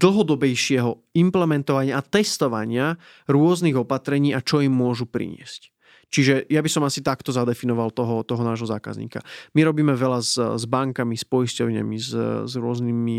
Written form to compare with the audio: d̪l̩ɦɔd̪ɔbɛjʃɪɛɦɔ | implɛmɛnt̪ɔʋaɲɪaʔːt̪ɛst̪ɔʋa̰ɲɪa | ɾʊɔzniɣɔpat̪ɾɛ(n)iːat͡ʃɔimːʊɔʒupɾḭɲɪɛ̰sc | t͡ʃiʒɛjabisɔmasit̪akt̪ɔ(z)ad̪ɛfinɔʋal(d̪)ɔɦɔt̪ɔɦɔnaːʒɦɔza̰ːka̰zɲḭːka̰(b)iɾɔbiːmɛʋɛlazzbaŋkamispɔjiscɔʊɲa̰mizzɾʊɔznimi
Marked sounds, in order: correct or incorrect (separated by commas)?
incorrect, correct, incorrect, incorrect